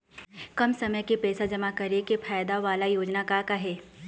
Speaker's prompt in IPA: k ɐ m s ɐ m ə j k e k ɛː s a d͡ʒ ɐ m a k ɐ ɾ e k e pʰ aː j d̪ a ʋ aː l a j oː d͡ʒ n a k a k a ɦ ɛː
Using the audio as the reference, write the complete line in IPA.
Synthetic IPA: k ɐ m s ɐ m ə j k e p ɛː s a d͡ʒ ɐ m a k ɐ ɾ e k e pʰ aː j d̪ a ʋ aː l a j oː d͡ʒ n a k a k a ɦ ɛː